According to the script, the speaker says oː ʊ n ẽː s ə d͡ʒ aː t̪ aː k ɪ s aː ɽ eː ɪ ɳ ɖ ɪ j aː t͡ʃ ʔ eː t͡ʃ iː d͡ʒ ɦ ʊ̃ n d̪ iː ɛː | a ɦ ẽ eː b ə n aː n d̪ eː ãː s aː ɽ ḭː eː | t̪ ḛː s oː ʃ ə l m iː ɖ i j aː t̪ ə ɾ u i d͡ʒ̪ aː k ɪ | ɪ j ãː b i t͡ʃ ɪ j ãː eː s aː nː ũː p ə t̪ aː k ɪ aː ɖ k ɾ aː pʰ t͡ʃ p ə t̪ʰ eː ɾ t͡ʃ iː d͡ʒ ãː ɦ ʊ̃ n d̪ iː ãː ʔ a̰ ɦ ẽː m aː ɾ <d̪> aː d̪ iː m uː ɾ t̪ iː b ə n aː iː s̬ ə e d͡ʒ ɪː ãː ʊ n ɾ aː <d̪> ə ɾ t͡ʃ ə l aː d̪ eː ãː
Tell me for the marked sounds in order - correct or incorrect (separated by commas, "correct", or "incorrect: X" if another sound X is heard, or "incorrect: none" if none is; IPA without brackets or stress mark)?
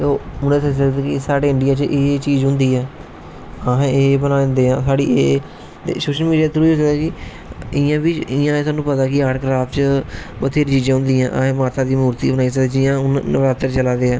incorrect: t̪, incorrect: t̪